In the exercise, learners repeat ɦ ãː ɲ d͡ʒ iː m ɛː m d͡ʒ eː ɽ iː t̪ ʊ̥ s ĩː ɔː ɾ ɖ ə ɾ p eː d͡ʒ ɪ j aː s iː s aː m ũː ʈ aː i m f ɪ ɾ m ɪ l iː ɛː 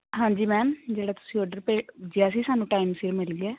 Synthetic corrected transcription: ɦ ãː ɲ d͡ʒ iː m ɛː m d͡ʒ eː ɽ aː t̪ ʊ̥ s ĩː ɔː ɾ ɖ ə ɾ p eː d͡ʒ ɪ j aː s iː s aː n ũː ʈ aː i m s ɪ ɾ m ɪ l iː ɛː